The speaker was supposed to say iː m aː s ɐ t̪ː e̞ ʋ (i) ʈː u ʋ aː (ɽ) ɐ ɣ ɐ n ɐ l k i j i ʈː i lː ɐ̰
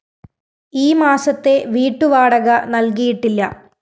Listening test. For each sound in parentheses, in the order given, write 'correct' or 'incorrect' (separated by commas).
incorrect, correct